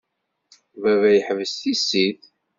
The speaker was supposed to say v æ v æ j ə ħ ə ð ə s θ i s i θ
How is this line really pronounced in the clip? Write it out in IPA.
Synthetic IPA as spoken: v æ v æ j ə ħ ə v ə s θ i s i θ

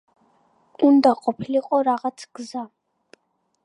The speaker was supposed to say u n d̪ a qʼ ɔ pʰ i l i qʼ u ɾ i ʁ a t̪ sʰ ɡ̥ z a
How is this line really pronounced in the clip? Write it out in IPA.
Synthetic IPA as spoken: u n d̪ a qʼ ɔ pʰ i l i qʼ ɔ ɾ a ʁ a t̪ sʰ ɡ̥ z a

